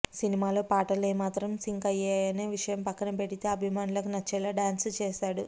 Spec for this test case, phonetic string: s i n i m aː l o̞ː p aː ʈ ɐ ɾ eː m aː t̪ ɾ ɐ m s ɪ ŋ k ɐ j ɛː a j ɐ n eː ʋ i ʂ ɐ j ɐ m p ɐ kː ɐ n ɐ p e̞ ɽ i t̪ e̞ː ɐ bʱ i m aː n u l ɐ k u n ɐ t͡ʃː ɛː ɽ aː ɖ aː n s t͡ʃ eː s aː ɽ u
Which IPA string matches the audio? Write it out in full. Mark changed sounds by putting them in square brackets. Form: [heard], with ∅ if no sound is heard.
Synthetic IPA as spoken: s i n i m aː l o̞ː p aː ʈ ɐ [l] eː m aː t̪ ɾ ɐ m s [i] ŋ k ɐ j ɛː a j ɐ n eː ʋ i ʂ ɐ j ɐ m p ɐ kː ɐ n ɐ p e̞ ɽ i t̪ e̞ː ɐ bʱ i m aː n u l ɐ k u n ɐ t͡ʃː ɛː [l] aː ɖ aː n s t͡ʃ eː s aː ɽ u